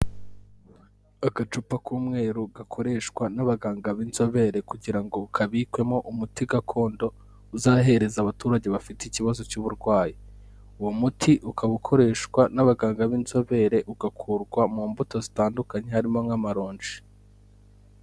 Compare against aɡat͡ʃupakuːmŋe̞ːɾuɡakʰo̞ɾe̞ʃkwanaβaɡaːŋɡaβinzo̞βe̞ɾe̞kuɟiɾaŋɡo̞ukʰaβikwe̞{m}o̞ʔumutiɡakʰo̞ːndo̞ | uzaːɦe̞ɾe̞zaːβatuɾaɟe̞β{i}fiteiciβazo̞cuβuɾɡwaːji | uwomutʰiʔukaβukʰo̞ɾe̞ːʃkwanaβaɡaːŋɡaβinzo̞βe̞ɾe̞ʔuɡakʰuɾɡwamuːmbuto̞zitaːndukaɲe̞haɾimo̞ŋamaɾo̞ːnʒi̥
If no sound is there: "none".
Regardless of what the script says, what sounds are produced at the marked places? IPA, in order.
m, a

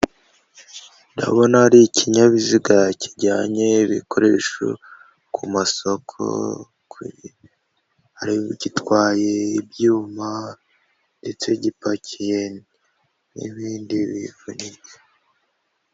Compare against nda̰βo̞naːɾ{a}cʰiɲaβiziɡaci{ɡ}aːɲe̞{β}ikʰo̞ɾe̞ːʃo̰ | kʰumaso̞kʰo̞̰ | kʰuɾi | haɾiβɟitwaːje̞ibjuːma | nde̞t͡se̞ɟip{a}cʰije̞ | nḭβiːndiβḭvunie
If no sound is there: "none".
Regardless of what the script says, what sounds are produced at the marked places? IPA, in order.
i, ɟ, β, a

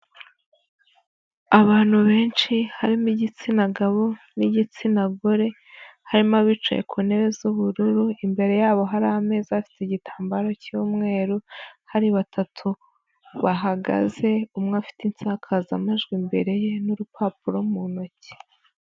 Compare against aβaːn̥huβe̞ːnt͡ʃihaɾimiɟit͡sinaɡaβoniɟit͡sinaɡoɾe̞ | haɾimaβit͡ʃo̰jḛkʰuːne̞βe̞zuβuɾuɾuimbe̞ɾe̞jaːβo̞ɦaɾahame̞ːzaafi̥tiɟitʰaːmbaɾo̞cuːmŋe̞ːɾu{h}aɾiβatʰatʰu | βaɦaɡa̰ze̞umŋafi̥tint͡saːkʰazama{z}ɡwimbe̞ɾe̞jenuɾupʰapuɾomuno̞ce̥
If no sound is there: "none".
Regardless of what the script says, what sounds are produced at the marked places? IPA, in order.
h, ʒ

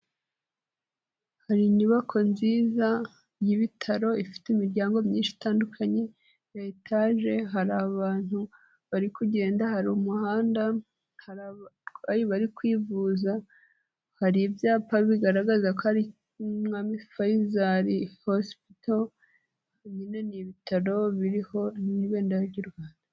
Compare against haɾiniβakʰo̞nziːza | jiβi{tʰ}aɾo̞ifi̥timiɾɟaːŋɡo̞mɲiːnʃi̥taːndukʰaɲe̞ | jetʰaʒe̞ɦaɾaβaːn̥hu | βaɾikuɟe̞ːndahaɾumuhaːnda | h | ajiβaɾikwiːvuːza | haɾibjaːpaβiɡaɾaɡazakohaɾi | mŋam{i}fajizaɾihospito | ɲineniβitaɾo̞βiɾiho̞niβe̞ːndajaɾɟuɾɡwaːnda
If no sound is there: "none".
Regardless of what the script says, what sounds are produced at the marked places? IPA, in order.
tʰ, i

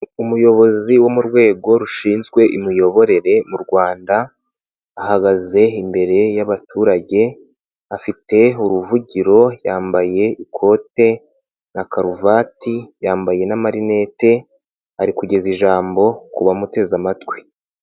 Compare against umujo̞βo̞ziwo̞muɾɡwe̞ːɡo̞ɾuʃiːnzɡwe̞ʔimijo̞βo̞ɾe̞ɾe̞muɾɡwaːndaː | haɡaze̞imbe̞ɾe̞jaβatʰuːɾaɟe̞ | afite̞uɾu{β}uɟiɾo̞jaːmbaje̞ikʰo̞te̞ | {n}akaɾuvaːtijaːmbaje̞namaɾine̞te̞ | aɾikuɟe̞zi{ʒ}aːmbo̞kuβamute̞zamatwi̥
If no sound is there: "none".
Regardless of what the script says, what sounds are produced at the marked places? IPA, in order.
v, n, ʒ

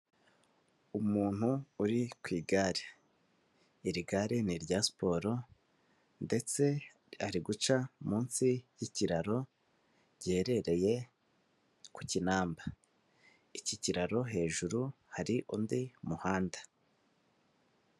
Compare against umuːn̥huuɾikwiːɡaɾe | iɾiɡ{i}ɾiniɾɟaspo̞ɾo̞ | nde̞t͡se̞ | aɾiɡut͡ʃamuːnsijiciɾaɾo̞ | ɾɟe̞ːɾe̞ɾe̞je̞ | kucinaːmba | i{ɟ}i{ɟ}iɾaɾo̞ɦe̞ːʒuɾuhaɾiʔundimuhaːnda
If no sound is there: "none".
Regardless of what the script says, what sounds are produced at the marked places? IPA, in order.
a, c, c

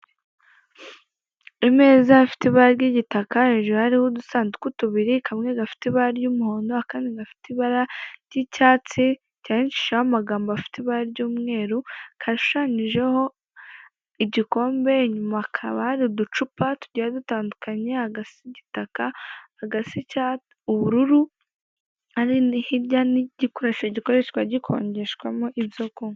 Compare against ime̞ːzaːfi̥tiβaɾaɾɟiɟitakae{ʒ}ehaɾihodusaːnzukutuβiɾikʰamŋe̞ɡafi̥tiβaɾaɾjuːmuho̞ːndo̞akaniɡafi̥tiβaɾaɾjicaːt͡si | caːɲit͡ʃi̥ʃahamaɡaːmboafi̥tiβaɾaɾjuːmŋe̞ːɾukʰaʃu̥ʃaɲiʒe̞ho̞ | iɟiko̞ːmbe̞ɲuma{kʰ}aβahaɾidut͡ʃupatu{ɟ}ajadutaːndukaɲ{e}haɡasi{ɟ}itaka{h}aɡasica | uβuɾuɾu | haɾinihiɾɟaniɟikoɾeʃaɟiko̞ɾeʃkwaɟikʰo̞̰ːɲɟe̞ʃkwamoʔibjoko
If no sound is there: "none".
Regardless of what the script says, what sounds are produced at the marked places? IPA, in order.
ʒ, kʰ, ɟ, e, ɟ, h

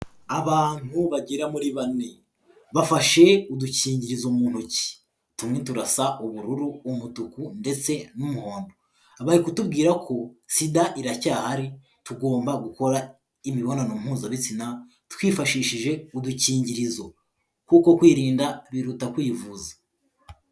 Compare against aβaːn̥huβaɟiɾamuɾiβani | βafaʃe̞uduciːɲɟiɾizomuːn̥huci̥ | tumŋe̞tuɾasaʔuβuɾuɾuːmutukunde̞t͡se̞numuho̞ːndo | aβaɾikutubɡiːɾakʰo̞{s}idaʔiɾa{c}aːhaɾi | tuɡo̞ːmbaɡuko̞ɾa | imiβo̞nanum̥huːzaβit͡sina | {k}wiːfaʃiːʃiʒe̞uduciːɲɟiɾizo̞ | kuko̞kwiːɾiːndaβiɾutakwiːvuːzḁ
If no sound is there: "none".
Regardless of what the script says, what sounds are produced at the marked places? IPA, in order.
s, c, t

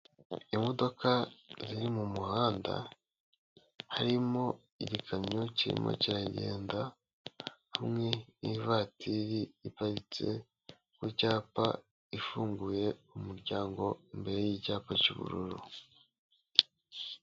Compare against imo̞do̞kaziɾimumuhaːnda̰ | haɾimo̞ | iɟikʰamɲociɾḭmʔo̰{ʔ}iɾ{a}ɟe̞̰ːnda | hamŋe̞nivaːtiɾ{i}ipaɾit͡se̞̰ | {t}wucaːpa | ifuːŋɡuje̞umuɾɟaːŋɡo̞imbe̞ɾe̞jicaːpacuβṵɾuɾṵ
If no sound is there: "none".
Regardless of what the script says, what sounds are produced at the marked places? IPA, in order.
c, a, i, k

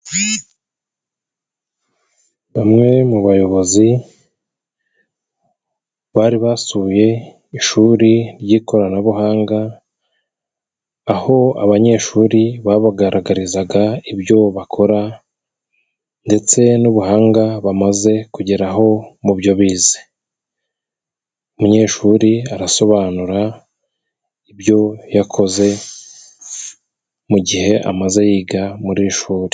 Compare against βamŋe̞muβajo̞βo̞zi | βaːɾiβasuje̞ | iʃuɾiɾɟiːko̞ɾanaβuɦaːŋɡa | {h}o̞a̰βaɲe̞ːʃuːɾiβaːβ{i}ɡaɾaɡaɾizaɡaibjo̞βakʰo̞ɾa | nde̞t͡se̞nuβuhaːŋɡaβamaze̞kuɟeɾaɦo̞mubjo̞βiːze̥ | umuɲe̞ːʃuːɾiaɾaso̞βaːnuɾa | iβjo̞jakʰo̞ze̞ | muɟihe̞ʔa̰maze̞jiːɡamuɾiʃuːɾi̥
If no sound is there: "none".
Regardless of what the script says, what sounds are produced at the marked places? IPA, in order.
h, a

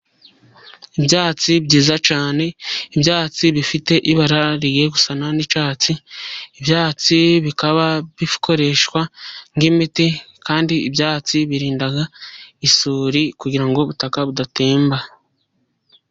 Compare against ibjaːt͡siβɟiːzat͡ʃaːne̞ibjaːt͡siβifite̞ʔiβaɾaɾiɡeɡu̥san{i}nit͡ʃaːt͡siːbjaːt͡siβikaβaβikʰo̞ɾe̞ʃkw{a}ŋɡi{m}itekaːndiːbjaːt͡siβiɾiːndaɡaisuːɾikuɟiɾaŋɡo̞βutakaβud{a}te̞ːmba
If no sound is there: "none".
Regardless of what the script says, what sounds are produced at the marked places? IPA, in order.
a, a, m, a

